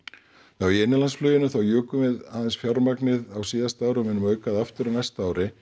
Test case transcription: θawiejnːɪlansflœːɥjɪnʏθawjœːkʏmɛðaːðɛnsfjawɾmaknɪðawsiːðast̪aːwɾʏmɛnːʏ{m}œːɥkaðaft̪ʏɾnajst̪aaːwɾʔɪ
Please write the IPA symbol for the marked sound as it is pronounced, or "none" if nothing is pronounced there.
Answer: m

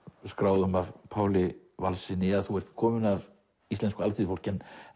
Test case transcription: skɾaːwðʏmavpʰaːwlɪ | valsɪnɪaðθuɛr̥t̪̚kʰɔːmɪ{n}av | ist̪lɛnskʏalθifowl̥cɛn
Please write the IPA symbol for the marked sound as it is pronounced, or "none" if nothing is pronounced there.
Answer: n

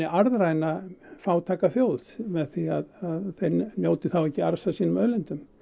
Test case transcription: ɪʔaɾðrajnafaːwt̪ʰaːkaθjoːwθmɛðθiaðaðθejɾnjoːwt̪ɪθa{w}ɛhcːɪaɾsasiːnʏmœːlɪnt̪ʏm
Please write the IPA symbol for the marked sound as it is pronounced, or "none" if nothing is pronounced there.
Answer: w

